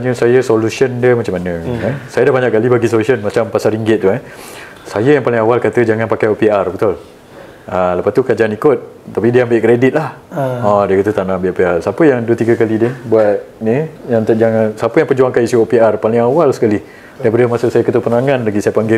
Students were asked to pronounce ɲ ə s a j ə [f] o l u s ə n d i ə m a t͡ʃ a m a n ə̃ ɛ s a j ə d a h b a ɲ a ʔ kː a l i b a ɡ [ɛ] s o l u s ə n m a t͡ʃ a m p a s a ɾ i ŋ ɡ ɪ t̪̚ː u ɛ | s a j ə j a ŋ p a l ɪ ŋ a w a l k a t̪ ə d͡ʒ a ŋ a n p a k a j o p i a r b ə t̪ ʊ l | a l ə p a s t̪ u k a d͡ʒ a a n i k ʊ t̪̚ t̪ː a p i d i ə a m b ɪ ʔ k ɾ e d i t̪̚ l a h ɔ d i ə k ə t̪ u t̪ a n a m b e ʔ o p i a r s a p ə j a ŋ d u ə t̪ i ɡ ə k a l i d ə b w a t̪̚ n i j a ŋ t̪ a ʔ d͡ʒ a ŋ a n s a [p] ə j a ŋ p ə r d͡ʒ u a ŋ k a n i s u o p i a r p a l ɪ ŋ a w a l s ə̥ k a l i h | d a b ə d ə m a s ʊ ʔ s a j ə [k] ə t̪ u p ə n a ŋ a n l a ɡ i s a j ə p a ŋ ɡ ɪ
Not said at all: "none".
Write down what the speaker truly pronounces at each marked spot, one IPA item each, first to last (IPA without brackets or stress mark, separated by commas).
s, i, p, k